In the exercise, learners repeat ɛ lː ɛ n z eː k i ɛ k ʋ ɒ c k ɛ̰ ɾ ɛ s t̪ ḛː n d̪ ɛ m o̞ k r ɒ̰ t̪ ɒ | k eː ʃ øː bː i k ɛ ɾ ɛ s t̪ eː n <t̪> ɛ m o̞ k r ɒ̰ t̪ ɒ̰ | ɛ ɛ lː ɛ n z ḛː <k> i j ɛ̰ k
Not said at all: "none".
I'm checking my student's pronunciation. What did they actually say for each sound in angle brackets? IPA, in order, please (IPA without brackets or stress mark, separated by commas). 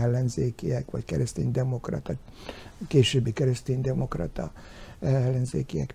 d̪, k